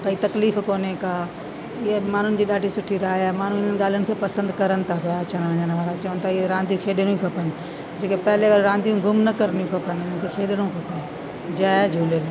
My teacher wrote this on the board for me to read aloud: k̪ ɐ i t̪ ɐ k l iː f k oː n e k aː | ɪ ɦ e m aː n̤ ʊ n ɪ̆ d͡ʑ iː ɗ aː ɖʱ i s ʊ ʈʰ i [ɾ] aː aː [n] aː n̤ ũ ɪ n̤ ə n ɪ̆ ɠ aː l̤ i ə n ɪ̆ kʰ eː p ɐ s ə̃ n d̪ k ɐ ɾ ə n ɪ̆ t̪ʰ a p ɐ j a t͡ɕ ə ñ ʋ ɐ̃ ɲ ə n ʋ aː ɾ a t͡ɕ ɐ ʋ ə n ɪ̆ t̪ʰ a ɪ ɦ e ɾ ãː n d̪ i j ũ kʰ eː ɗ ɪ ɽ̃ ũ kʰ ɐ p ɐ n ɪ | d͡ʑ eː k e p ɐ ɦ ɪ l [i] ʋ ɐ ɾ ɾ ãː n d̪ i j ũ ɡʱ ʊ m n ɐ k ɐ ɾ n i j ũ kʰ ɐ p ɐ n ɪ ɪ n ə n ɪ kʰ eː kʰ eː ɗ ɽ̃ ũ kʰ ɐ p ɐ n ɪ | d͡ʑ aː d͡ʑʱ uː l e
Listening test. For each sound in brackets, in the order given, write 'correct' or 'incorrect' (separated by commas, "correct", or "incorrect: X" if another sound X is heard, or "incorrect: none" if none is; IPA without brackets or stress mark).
correct, incorrect: m, incorrect: e